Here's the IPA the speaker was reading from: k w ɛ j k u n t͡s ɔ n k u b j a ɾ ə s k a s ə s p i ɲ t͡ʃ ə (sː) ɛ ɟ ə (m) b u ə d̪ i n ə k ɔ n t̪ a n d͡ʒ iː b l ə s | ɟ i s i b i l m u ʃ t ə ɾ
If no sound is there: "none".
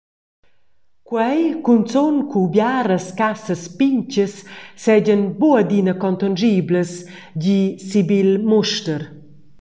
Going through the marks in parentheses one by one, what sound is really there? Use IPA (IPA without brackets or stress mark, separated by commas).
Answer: sː, n